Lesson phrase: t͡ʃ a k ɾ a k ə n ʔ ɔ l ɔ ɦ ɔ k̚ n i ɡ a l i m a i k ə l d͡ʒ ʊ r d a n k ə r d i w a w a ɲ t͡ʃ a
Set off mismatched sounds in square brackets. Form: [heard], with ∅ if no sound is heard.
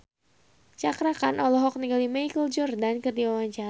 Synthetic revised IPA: t͡ʃ a k ɾ a k [a] n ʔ ɔ l ɔ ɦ ɔ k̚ n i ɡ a l i m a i k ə l d͡ʒ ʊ r d a n k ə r d i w a w a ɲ t͡ʃ a